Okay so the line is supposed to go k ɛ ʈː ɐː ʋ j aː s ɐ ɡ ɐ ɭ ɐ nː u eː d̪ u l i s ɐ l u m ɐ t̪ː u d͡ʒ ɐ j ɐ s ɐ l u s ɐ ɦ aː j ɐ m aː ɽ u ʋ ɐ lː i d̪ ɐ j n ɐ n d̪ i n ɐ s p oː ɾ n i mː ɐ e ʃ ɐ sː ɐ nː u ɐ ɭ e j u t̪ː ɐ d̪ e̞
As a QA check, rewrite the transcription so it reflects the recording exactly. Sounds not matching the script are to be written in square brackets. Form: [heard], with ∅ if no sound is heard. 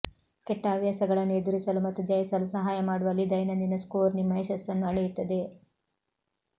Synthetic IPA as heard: k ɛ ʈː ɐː ʋ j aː s ɐ ɡ ɐ ɭ ɐ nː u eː d̪ u [ɾ] i s ɐ l u m ɐ t̪ː u d͡ʒ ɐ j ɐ s ɐ l u s ɐ ɦ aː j ɐ m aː ɽ u ʋ ɐ lː i d̪ ɐ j n ɐ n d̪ i n ɐ s [k] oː ɾ n i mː ɐ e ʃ ɐ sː ɐ nː u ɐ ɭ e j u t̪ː ɐ d̪ e̞

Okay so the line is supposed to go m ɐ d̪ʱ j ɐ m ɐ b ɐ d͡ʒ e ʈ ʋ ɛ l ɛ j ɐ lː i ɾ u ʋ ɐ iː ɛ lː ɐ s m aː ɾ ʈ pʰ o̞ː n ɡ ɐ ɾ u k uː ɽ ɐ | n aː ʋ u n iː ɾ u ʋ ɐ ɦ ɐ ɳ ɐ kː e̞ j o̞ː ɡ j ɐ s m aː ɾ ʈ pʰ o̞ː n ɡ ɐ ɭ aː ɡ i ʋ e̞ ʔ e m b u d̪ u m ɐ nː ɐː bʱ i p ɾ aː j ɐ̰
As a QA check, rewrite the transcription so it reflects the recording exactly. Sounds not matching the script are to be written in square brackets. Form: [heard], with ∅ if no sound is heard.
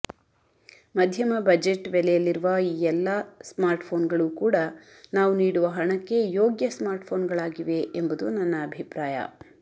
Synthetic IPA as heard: m ɐ d̪ʱ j ɐ m ɐ b ɐ d͡ʒ e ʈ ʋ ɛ l ɛ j ɐ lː i ɾ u ʋ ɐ iː ɛ lː ɐ s m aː ɾ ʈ pʰ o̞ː n ɡ ɐ [ɭ] u k uː ɽ ɐ | n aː ʋ u n iː [ɽ] u ʋ ɐ ɦ ɐ ɳ ɐ kː e̞ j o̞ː ɡ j ɐ s m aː ɾ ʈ pʰ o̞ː n ɡ ɐ ɭ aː ɡ i ʋ e̞ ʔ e m b u d̪ u [n] ɐ nː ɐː bʱ i p ɾ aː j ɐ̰

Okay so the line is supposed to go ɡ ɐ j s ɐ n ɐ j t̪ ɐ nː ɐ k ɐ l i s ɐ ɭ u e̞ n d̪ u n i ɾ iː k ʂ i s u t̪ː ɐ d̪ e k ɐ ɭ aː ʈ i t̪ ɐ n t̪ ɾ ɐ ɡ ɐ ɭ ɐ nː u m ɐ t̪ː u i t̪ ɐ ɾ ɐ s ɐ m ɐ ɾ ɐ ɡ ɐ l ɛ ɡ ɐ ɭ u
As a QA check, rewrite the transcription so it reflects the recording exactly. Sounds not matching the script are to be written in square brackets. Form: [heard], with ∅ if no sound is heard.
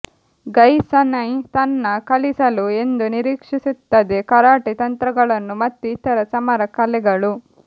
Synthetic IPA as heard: ɡ ɐ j s ɐ n ɐ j t̪ ɐ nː ɐ k ɐ l i s ɐ [l] u e̞ n d̪ u n i ɾ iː k ʂ i s u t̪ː ɐ d̪ e k ɐ [ɾ] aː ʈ i t̪ ɐ n t̪ ɾ ɐ ɡ ɐ ɭ ɐ nː u m ɐ t̪ː u i t̪ ɐ ɾ ɐ s ɐ m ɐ ɾ ɐ [k] ɐ l ɛ ɡ ɐ ɭ u

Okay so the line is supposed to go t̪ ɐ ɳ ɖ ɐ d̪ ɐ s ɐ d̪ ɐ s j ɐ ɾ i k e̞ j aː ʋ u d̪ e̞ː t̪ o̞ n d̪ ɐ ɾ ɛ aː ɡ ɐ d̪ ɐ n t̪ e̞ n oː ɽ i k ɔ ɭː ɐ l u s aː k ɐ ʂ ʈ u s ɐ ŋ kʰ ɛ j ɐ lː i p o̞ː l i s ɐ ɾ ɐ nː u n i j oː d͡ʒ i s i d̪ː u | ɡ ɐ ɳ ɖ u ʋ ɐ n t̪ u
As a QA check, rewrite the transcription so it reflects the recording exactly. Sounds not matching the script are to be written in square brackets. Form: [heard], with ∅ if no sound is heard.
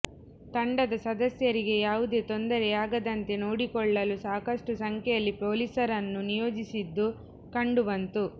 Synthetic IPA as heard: t̪ ɐ ɳ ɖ ɐ d̪ ɐ s ɐ d̪ ɐ s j ɐ ɾ i [ɡ] e̞ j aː ʋ u d̪ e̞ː t̪ o̞ n d̪ ɐ ɾ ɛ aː ɡ ɐ d̪ ɐ n t̪ e̞ n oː ɽ i k ɔ ɭː ɐ l u s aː k ɐ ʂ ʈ u s ɐ ŋ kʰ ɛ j ɐ lː i p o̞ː l i s ɐ ɾ ɐ nː u n i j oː d͡ʒ i s i d̪ː u | [k] ɐ ɳ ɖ u ʋ ɐ n t̪ u

